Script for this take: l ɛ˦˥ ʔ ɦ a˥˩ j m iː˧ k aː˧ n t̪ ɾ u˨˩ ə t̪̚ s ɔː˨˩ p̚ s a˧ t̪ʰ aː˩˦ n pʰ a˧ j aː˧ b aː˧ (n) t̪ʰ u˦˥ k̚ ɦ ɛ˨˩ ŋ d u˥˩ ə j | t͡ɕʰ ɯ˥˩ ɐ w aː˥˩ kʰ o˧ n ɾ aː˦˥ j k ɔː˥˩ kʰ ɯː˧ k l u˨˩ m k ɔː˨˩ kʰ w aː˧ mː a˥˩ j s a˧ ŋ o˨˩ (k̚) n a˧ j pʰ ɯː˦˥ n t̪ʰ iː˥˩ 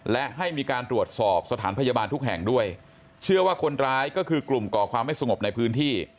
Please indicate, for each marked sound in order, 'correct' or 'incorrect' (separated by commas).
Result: correct, incorrect